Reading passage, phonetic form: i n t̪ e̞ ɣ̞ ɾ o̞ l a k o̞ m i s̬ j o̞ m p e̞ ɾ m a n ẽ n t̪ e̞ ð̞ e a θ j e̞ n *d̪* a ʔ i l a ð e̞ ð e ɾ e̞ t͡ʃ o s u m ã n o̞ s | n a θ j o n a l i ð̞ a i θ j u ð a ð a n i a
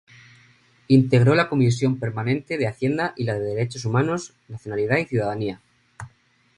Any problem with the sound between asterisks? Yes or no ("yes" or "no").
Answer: no